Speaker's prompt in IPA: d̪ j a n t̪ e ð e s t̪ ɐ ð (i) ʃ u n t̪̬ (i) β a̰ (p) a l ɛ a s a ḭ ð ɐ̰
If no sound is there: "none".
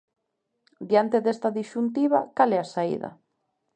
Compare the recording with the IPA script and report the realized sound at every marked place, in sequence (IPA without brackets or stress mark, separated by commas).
i, i, k